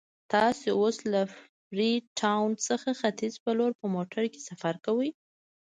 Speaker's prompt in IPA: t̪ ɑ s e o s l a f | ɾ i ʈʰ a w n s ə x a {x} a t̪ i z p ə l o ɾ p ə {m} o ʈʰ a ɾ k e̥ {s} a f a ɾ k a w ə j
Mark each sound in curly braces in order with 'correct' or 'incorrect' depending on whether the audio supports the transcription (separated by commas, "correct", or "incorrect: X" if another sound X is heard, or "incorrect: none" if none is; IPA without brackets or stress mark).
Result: correct, correct, correct